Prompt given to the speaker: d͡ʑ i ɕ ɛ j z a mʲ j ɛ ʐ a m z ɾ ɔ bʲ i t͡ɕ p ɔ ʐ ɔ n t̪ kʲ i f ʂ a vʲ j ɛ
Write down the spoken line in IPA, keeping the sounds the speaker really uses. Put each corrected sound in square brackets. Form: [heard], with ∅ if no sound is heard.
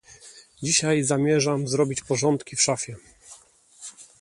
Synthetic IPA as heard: d͡ʑ i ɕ [a] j z a mʲ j ɛ ʐ a m z ɾ ɔ bʲ i t͡ɕ p ɔ ʐ ɔ n t̪ kʲ i f ʂ a [fʲ] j ɛ